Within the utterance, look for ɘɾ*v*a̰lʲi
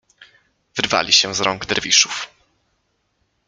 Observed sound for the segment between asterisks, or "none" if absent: v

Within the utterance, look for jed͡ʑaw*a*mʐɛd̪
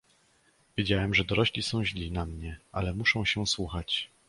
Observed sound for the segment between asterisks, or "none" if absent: ɛ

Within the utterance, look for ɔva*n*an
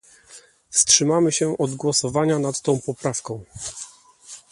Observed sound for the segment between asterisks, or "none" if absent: ɲ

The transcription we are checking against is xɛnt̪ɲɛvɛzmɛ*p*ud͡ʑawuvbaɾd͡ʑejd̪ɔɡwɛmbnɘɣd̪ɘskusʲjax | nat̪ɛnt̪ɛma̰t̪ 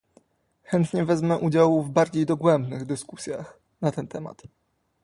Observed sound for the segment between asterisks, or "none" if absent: ʔ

